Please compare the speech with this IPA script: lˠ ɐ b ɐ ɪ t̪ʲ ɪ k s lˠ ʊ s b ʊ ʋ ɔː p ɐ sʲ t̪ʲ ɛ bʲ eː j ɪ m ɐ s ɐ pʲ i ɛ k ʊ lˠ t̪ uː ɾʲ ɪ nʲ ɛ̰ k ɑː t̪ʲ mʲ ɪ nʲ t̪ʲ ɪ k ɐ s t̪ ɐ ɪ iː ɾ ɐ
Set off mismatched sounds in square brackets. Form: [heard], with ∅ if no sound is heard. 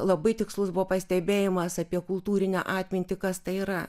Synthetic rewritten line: lˠ ɐ b ɐ ɪ t̪ʲ ɪ k s lˠ ʊ s b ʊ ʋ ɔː p ɐ sʲ t̪ʲ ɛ bʲ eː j ɪ m ɐ s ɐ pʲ i ɛ k ʊ lˠ t̪ uː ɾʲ ɪ nʲ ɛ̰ [ʔ] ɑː t̪ʲ mʲ ɪ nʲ t̪ʲ ɪ k ɐ s t̪ ɐ ɪ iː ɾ ɐ